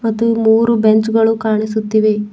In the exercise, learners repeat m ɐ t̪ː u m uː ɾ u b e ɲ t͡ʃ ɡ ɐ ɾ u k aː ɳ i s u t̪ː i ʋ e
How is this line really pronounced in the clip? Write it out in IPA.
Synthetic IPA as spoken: m ɐ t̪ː u m uː ɾ u b e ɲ t͡ʃ ɡ ɐ ɭ u k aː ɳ i s u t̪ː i ʋ e